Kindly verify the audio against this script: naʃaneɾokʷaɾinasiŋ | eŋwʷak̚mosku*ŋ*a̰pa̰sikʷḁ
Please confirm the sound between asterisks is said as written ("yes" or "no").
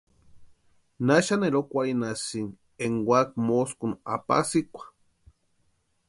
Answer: no